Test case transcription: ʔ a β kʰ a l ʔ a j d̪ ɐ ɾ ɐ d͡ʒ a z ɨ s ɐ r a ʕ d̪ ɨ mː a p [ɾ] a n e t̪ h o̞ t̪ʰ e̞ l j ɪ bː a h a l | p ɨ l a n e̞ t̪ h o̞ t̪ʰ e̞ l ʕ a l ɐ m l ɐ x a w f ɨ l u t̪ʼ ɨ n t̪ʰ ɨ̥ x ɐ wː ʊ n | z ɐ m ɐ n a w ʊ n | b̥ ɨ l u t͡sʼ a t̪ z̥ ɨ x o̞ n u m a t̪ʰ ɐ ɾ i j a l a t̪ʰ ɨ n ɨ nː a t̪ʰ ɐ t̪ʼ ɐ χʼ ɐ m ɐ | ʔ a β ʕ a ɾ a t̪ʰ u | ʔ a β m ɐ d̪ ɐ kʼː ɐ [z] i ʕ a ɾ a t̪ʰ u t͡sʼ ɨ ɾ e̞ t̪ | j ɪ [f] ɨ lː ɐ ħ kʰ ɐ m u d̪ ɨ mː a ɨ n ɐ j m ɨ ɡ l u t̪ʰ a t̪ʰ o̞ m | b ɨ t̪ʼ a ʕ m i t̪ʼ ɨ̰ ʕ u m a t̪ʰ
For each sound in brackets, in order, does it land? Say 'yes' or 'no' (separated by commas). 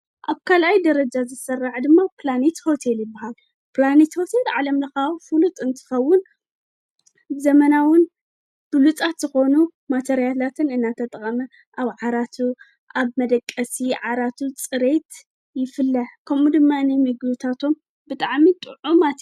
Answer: no, no, yes